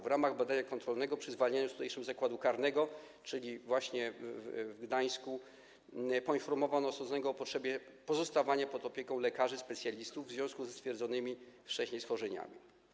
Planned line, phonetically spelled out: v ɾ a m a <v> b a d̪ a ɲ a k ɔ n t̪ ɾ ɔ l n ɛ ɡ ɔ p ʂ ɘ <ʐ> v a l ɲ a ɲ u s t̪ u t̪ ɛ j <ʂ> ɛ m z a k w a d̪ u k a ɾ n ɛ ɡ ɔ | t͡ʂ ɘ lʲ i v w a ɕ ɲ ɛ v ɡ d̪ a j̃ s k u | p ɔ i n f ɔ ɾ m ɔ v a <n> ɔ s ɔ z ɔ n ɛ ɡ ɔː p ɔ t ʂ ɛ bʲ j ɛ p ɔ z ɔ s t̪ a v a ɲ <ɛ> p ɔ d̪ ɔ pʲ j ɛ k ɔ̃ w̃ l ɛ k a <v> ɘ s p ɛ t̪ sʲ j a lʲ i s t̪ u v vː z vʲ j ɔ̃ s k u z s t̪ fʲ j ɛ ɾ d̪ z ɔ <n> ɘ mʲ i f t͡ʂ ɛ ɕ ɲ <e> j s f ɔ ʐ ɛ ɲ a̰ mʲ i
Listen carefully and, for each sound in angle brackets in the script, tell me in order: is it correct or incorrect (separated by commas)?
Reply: incorrect, incorrect, correct, correct, incorrect, incorrect, correct, correct